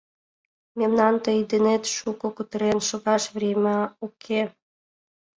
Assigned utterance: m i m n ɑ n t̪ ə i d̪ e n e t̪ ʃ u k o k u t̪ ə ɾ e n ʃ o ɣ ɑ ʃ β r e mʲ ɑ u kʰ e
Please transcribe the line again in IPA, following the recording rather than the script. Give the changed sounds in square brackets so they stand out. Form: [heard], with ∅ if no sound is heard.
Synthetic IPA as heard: m [e] m n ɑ n t̪ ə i d̪ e n e t̪ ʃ u k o k u t̪ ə ɾ e n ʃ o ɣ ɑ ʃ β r e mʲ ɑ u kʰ e